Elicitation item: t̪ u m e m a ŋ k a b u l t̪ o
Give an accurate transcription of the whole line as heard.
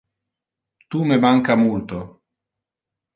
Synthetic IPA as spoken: t̪ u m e m a ŋ k a m u l t̪ o